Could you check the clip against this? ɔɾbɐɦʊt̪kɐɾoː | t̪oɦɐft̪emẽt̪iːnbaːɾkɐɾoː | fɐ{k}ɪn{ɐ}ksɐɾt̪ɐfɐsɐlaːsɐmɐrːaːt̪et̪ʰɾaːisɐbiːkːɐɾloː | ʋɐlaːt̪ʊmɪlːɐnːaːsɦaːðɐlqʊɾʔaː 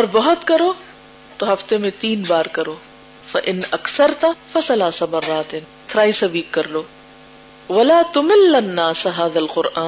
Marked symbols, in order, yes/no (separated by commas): no, yes